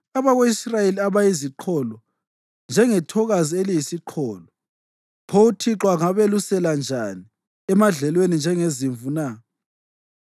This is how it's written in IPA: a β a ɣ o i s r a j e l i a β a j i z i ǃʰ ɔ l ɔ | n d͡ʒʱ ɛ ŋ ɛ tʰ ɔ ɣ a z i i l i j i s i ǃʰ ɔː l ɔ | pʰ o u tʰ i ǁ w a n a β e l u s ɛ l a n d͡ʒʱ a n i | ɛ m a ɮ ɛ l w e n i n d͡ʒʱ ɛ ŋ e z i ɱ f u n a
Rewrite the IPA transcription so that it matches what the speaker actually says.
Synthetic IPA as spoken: a β a ɣ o i s r a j e l i a β a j i z i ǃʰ ɔ l ɔ | n d͡ʒʱ ɛ ŋ ɛ tʰ ɔ ɣ a z i e l i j i s i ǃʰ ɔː l ɔ | pʰ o u tʰ i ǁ w a ŋ a β e l u s ɛ l a n d͡ʒʱ a n i | ɛ m a ɮ ɛ l w e n i n d͡ʒʱ ɛ ŋ e z i ɱ v u n a